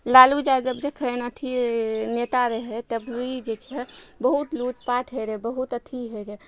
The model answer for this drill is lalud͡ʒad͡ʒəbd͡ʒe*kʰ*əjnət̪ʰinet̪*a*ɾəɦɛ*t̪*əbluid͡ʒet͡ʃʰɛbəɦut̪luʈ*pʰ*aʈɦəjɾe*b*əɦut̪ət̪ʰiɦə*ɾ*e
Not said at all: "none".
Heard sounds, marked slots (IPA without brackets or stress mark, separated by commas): kʰ, a, t̪, p, b, ɾ